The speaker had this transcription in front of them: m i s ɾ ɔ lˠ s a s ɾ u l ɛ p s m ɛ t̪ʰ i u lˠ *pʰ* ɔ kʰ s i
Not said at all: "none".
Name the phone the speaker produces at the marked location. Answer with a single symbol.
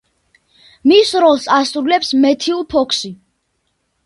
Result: pʰ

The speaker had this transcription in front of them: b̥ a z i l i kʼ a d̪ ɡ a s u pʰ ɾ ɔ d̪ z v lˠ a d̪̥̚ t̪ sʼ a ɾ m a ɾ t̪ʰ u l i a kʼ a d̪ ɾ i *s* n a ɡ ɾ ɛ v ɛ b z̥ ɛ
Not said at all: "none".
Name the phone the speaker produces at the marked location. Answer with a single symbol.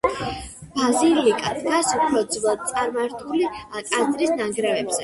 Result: s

